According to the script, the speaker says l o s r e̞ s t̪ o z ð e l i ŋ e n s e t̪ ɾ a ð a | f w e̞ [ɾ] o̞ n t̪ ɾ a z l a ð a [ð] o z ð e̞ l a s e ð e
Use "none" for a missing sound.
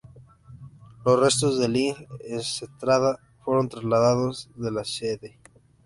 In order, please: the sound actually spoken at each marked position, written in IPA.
ɾ, ð

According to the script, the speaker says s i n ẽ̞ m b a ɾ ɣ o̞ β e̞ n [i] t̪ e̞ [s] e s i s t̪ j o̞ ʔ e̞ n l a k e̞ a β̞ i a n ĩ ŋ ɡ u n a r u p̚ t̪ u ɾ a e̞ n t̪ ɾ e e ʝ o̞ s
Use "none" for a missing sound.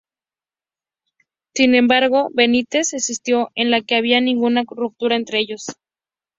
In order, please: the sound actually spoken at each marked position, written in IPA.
i, s

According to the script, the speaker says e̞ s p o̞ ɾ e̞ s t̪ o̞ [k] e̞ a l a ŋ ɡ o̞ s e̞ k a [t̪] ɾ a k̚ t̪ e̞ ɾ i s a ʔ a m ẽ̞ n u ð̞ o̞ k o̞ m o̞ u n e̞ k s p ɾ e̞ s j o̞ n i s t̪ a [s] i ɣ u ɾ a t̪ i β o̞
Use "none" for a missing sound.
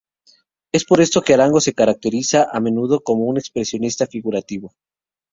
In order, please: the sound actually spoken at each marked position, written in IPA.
k, none, f

